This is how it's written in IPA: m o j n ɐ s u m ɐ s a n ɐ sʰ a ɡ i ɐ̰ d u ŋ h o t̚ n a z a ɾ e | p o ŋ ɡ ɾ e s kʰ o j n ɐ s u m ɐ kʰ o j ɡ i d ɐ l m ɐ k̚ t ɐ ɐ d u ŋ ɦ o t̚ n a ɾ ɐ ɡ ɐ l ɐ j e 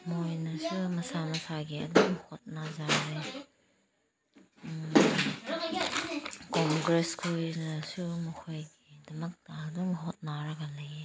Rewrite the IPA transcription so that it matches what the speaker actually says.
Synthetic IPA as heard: m o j n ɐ s u m ɐ s a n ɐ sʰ a ɡ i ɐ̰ d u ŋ h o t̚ n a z a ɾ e | k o ŋ ɡ ɾ e s kʰ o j n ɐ s u m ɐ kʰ o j ɡ i d ɐ m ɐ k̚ t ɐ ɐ d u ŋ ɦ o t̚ n a ɾ ɐ ɡ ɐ l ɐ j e